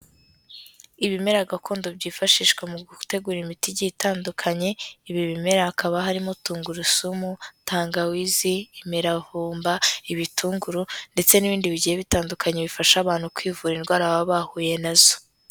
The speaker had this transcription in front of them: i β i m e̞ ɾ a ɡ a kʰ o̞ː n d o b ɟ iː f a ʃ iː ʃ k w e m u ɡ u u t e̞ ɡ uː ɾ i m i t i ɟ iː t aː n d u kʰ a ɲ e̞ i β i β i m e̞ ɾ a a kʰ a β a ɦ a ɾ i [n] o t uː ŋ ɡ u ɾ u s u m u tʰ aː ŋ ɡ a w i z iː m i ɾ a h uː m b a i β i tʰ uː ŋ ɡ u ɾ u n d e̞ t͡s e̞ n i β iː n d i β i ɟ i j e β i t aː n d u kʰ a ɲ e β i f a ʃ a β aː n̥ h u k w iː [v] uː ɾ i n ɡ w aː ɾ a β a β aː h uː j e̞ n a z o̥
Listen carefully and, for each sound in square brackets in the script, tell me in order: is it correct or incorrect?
incorrect: m, correct

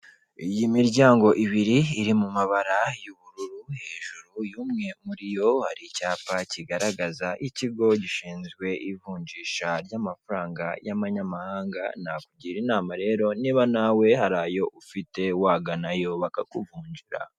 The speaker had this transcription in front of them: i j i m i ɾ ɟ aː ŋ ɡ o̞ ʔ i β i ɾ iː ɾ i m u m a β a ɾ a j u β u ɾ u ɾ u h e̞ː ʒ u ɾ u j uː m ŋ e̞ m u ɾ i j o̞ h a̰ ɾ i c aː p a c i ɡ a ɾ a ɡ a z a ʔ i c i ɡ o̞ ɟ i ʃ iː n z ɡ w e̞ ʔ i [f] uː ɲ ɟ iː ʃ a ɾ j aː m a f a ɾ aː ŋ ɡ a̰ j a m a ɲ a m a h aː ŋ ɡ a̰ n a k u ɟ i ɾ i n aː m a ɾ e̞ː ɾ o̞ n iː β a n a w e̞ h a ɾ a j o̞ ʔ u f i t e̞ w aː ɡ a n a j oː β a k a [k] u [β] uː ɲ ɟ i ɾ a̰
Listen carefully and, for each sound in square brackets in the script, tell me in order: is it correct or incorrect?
incorrect: v, correct, incorrect: v

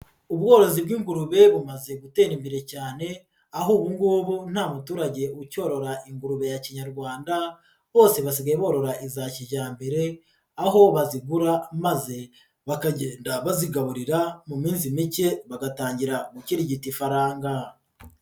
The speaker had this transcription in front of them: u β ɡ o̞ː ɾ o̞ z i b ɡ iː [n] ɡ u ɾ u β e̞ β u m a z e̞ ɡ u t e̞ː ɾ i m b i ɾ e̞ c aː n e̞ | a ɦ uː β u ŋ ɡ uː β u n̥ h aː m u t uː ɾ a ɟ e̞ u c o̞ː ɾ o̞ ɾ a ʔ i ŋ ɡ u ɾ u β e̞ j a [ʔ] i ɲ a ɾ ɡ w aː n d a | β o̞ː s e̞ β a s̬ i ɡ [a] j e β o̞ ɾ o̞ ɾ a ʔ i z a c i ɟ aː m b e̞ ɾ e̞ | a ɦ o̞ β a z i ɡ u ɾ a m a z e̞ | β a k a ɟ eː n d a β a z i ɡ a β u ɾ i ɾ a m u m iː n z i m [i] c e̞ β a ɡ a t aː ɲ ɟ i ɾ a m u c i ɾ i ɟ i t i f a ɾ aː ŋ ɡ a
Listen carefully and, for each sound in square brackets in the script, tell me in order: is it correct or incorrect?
incorrect: ŋ, incorrect: c, correct, correct

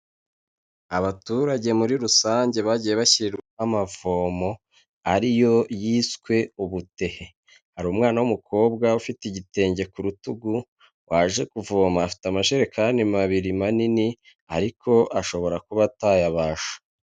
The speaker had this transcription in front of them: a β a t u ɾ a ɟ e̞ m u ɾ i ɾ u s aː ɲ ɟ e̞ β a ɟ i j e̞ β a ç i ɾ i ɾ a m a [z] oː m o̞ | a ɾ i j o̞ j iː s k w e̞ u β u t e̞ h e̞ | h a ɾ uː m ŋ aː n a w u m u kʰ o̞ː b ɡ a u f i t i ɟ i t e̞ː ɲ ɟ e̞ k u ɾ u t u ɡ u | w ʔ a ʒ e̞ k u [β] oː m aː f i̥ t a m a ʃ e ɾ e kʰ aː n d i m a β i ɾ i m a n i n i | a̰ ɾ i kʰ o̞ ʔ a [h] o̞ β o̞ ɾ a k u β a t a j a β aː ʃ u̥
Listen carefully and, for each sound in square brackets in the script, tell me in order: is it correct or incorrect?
incorrect: v, incorrect: v, incorrect: ʃ

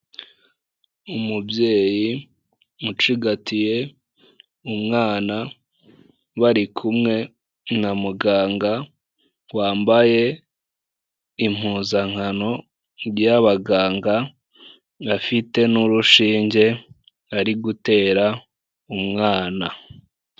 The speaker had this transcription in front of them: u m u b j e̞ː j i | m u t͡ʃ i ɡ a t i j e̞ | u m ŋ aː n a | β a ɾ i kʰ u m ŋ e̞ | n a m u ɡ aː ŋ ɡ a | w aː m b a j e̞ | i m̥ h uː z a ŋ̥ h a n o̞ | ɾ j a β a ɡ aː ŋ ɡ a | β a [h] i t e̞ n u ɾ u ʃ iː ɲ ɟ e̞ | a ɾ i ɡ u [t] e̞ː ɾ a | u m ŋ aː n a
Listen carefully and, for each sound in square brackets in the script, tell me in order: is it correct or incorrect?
incorrect: f, correct

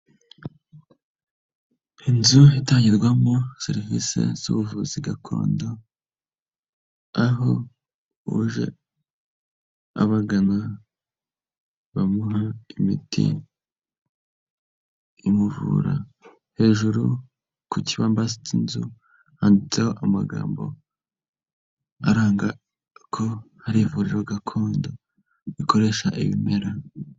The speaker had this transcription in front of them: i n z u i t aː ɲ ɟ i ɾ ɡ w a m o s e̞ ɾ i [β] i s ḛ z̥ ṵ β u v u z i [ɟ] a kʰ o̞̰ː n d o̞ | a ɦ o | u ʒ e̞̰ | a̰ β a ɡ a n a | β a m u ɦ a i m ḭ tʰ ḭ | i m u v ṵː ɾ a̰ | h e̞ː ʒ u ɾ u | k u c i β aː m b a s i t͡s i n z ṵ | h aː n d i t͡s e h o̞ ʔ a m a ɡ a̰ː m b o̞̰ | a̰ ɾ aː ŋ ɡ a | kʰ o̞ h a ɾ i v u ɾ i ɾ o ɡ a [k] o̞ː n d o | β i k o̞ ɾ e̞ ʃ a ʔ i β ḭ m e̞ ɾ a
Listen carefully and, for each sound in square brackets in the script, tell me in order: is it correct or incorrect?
incorrect: v, incorrect: ɡ, incorrect: kʰ

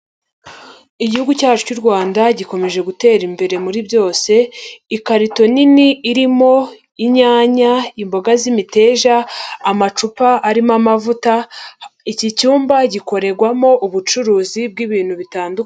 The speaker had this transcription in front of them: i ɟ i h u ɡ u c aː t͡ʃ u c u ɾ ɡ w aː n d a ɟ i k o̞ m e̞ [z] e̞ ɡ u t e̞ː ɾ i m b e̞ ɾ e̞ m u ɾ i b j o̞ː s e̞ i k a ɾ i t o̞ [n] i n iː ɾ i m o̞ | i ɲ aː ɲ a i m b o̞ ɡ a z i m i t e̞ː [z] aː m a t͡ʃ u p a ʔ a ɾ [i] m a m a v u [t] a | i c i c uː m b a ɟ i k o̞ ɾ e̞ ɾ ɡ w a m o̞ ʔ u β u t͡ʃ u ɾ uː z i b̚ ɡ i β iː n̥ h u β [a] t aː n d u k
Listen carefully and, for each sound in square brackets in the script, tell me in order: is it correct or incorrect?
incorrect: ʒ, correct, incorrect: ʒ, correct, correct, incorrect: i

